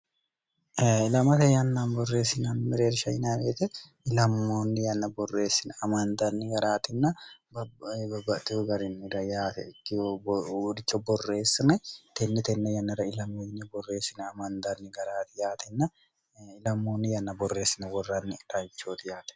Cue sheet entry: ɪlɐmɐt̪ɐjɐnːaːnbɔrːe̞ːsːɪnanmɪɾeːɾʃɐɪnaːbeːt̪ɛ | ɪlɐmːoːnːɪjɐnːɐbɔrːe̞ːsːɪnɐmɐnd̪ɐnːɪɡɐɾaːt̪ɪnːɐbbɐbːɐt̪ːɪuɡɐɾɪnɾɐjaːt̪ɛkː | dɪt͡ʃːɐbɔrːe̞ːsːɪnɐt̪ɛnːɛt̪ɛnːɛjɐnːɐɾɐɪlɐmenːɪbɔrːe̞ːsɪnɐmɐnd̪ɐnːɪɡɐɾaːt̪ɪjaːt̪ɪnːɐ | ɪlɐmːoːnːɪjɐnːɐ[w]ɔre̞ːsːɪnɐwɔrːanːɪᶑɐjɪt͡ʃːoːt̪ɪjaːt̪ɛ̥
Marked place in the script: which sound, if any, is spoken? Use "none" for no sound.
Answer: b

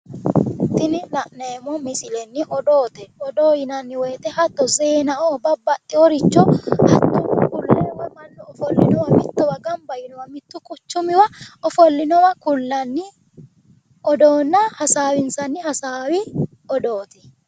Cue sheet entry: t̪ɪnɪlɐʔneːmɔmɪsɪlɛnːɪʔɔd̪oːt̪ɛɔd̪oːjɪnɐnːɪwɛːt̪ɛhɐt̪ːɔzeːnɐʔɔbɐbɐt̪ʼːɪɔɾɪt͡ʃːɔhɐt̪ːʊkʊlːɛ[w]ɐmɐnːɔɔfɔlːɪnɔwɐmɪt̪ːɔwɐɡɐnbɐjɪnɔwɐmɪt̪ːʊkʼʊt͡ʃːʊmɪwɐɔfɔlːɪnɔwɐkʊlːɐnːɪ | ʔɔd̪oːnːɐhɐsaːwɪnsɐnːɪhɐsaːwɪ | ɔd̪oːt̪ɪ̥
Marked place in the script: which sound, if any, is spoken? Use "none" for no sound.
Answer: w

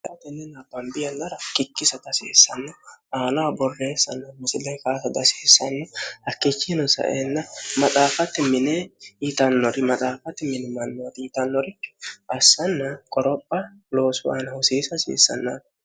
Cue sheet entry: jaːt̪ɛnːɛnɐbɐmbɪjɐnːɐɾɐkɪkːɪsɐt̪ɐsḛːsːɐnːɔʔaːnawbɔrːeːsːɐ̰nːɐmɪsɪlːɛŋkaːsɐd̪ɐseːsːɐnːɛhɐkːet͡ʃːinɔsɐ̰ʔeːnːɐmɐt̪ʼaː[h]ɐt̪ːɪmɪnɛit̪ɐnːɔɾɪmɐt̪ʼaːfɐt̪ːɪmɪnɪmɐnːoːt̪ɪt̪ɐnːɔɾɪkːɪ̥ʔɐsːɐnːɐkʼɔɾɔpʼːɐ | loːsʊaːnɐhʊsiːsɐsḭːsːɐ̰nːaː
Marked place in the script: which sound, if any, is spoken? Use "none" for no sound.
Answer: f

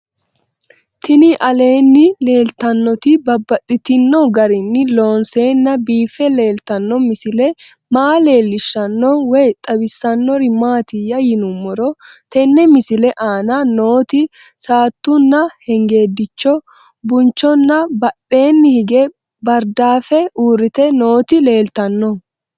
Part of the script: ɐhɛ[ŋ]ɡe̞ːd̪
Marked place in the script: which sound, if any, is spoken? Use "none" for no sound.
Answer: ŋ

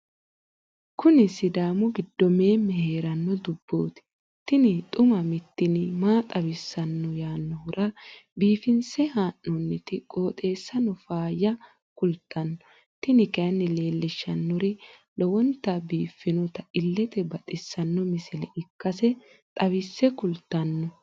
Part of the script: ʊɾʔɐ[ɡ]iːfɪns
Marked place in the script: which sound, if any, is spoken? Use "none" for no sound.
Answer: b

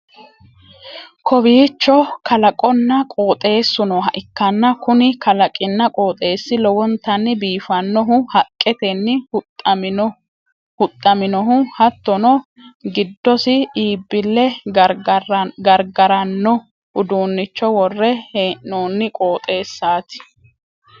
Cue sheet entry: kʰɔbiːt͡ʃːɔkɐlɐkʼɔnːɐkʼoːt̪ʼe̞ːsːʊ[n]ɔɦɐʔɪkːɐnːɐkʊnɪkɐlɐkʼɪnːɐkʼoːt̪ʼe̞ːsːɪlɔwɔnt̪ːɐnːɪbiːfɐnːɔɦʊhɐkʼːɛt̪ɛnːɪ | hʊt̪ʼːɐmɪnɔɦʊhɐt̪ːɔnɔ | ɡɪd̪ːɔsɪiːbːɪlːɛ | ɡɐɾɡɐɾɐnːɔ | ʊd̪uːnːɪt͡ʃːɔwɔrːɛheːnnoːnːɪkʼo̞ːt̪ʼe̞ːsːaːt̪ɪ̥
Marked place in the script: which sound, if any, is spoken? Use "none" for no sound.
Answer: n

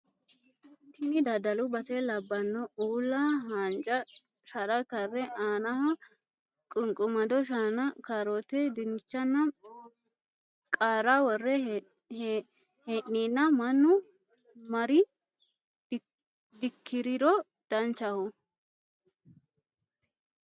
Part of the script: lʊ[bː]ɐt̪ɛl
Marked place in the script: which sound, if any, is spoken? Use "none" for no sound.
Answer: b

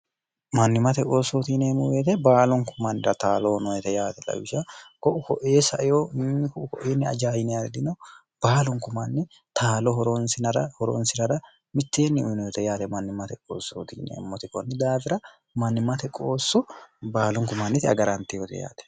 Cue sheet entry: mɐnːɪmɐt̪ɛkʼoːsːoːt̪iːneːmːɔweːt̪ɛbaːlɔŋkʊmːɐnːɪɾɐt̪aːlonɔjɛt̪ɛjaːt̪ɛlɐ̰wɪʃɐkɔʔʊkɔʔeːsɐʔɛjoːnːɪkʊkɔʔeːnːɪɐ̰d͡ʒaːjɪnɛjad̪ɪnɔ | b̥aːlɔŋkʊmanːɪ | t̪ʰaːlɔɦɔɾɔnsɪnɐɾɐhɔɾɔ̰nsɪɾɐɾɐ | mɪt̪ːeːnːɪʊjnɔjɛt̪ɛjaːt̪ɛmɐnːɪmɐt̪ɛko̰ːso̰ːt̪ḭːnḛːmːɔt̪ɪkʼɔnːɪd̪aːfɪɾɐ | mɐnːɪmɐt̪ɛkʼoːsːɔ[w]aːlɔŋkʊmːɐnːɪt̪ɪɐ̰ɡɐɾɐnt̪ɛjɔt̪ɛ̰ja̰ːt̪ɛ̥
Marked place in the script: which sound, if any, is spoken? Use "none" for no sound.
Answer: b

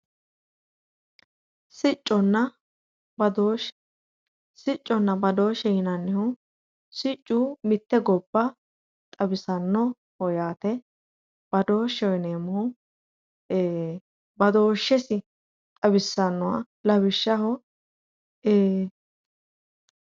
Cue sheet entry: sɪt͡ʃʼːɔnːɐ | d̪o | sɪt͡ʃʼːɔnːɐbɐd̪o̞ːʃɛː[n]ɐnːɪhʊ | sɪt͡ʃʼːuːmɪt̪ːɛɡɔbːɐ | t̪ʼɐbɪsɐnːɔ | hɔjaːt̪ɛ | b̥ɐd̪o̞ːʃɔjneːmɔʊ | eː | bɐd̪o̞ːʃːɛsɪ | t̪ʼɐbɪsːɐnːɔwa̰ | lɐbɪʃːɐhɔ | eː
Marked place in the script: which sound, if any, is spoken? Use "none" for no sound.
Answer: n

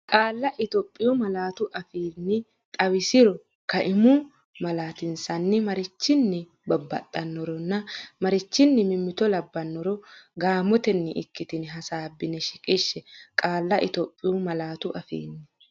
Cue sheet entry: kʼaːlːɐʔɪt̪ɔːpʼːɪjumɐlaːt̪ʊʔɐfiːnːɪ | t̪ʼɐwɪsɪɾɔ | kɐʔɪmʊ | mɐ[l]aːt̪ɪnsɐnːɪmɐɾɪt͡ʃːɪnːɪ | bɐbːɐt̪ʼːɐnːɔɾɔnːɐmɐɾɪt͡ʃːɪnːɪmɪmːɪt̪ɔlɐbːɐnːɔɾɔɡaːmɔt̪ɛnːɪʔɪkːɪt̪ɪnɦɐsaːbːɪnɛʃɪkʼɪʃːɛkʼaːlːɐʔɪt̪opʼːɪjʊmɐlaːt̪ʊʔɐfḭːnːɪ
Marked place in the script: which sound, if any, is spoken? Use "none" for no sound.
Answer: l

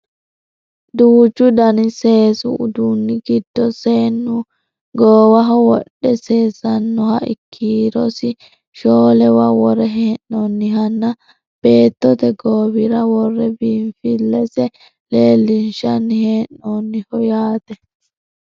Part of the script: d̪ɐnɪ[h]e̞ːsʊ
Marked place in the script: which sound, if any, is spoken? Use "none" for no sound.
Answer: s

